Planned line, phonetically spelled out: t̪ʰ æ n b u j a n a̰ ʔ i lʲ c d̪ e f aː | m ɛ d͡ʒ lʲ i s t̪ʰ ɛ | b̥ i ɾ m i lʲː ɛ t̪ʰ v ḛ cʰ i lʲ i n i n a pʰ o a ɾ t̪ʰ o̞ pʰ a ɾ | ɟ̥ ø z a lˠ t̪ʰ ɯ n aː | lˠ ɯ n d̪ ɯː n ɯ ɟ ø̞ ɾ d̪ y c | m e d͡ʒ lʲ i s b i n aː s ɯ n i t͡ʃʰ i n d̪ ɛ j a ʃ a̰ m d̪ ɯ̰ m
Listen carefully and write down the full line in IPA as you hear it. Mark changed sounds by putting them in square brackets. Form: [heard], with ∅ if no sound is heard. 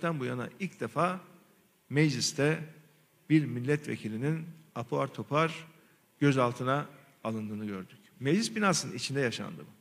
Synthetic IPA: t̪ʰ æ n b u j a n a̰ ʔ i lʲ c d̪ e f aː | m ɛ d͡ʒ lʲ i s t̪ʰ ɛ | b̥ i ɾ m i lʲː ɛ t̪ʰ v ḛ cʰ i lʲ i n i n a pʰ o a ɾ t̪ʰ o̞ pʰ a ɾ | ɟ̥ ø z a lˠ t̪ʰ ɯ n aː | lˠ ɯ n d̪ ɯː n ɯ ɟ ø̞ ɾ d̪ y c | m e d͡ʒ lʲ i s b i n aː s ɯ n i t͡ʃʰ i n d̪ ɛ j a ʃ a̰ [n] d̪ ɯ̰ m